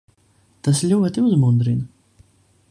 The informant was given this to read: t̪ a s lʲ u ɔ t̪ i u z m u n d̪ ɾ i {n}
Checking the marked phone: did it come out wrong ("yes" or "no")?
no